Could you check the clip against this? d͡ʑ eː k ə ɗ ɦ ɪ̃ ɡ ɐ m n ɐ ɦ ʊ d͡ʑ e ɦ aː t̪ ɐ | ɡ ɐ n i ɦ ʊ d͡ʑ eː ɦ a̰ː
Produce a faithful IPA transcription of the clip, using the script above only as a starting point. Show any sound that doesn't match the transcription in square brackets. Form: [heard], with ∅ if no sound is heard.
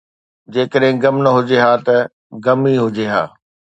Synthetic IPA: d͡ʑ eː k ə ɗ ɦ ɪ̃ ɡ ɐ m n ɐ ɦ ʊ d͡ʑ e ɦ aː t̪ ɐ | ɡ ɐ [m] i ɦ ʊ d͡ʑ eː ɦ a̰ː

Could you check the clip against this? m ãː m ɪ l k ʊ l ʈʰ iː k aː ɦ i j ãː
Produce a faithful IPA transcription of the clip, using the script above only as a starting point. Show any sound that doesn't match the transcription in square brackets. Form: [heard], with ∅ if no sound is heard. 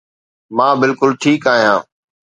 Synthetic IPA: m ãː [b] ɪ l k ʊ l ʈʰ iː k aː ɦ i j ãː

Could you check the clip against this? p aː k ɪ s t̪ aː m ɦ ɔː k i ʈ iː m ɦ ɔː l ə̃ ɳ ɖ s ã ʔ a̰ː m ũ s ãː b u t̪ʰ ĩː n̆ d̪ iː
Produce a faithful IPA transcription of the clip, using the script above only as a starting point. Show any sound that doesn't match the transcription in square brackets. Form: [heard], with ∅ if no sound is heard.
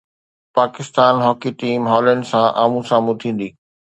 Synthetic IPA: p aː k ɪ s t̪ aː [n] ɦ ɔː k i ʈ iː m ɦ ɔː l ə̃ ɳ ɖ s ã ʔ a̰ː m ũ s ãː [m] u t̪ʰ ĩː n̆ d̪ iː

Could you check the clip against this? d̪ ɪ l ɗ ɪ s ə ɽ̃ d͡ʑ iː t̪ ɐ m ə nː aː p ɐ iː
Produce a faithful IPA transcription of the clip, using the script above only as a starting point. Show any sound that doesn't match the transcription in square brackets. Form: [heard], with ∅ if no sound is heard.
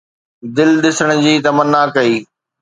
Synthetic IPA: d̪ ɪ l ɗ ɪ s ə ɽ̃ d͡ʑ iː t̪ ɐ m ə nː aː [k] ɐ iː

